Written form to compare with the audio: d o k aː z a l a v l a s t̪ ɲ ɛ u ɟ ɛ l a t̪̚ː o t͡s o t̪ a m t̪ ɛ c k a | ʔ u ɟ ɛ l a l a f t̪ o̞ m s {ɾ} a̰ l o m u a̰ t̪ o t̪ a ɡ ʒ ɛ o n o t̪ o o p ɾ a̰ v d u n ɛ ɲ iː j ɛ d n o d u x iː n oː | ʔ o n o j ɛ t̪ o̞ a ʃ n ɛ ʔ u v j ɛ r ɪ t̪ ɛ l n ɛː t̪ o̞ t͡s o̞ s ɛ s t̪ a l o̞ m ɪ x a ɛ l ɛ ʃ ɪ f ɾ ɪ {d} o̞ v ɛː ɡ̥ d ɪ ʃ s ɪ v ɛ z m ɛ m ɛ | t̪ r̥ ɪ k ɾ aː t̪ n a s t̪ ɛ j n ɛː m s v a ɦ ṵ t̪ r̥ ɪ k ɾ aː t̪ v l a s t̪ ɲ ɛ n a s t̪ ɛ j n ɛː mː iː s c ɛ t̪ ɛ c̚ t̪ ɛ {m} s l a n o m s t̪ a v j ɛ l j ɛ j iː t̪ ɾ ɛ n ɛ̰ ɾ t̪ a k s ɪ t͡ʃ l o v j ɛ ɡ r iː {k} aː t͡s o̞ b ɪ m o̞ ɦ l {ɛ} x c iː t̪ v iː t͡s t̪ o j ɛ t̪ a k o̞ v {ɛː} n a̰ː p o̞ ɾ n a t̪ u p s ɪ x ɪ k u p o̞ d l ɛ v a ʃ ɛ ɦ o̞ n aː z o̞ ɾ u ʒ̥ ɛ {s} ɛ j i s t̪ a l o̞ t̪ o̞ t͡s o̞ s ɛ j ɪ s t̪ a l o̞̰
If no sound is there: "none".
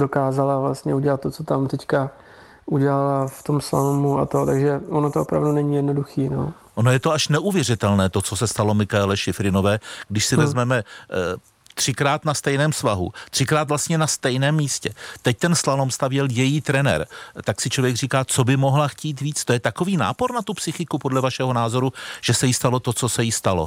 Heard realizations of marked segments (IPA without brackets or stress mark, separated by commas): l, n, n, k, a, iː, s